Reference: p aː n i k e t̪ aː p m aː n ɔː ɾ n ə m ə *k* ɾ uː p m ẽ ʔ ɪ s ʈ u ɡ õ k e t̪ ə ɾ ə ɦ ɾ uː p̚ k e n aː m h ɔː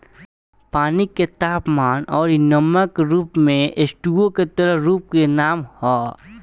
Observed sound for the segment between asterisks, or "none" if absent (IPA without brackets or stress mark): k